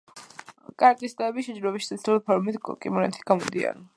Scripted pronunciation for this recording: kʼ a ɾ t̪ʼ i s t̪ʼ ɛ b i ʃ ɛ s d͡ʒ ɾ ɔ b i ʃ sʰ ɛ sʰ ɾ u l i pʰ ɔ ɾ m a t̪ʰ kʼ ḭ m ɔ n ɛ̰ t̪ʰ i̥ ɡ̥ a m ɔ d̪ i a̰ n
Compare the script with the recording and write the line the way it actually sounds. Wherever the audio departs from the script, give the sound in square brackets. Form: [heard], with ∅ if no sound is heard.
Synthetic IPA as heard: kʼ a ɾ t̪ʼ i s t̪ʼ ɛ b i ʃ ɛ [∅] d͡ʒ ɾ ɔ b i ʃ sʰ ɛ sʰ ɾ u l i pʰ ɔ ɾ m [i] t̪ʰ kʼ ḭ m ɔ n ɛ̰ t̪ʰ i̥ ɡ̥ a m ɔ d̪ i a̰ n